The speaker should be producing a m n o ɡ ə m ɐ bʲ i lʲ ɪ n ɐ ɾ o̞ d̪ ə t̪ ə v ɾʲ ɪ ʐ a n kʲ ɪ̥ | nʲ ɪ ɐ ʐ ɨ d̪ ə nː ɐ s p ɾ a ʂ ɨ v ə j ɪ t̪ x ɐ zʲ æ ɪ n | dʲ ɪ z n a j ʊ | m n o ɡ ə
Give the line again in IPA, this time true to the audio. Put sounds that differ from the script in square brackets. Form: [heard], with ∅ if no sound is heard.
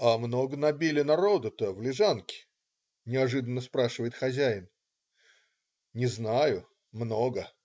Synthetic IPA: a m n o ɡ ə [n] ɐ bʲ i lʲ ɪ n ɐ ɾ o̞ d̪ ə t̪ ə v [lʲ] ɪ ʐ a n kʲ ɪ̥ | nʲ ɪ ɐ ʐ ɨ d̪ ə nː [ə] s p ɾ a ʂ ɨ v ə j ɪ t̪ x ɐ zʲ æ ɪ n | [nʲ] ɪ z n a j ʊ | m n o ɡ ə